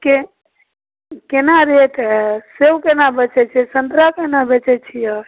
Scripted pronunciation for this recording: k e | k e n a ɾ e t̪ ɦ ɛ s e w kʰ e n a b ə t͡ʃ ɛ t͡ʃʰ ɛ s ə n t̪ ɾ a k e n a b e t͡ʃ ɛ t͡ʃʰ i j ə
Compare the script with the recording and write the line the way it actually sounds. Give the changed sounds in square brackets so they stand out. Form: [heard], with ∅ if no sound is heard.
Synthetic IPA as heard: k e | k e n a ɾ e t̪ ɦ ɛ s e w [k] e n a b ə t͡ʃ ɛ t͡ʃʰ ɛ s ə n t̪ ɾ a k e n a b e t͡ʃ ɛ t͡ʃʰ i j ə